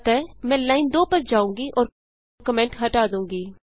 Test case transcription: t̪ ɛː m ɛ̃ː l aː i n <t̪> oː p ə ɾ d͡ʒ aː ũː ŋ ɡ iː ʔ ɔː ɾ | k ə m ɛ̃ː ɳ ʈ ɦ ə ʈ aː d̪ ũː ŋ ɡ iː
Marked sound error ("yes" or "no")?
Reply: yes